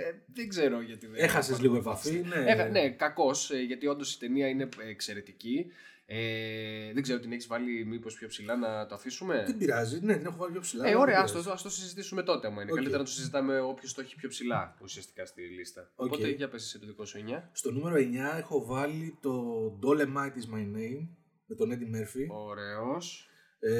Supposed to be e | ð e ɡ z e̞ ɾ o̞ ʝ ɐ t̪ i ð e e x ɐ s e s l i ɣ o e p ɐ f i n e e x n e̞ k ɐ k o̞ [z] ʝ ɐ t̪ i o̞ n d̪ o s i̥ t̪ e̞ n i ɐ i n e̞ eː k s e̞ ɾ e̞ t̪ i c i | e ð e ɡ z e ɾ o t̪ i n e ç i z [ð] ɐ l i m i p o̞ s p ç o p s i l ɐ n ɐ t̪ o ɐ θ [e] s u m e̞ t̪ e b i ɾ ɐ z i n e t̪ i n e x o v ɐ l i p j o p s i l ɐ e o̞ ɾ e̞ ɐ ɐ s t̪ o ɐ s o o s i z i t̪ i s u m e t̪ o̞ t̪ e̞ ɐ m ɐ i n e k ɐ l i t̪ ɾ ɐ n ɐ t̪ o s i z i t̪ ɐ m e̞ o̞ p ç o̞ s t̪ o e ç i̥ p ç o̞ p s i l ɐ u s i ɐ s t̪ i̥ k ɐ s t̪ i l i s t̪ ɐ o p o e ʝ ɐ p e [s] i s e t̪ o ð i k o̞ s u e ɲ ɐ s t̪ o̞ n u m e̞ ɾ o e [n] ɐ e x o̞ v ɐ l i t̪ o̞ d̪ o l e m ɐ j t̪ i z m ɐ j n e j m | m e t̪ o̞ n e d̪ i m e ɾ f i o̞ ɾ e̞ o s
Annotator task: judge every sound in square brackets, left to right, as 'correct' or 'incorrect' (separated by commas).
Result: incorrect, incorrect, incorrect, correct, incorrect